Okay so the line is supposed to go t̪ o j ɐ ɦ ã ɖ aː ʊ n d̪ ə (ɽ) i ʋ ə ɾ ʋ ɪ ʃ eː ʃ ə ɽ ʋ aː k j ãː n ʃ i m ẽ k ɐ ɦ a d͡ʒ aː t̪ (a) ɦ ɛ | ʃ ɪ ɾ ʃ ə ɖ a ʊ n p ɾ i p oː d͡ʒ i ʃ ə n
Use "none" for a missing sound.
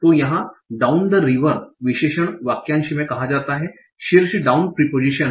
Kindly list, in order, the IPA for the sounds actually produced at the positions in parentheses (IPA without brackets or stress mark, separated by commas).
ɾ, a